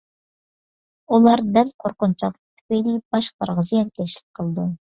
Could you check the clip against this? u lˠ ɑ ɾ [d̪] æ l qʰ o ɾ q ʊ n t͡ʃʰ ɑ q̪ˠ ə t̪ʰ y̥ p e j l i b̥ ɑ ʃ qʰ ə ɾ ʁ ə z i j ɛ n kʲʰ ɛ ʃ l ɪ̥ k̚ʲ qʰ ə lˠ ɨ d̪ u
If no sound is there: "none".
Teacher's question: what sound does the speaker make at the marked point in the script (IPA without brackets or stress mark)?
d̪